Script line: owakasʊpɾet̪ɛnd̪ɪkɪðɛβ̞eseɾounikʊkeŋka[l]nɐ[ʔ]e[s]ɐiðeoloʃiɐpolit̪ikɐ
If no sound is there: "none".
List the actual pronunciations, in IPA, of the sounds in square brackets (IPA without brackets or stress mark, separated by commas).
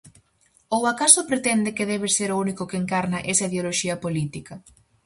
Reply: ɾ, ʔ, s